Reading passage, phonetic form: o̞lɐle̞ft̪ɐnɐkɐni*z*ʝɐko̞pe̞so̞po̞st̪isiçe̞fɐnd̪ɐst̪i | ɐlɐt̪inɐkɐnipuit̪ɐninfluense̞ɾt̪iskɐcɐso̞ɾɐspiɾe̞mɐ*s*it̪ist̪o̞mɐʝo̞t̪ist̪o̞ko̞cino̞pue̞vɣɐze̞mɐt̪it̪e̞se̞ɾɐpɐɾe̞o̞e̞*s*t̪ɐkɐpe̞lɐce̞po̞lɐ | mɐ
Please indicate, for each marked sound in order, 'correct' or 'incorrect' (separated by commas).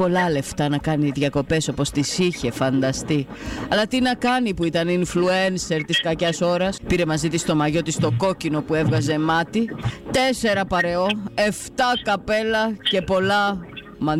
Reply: incorrect, incorrect, incorrect